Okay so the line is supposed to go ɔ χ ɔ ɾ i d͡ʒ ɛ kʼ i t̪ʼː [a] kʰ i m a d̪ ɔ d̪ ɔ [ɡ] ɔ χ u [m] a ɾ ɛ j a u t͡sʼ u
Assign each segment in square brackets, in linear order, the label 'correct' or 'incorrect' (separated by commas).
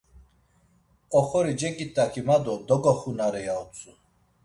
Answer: correct, correct, incorrect